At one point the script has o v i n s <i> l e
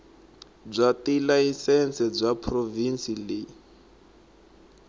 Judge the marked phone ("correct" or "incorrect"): correct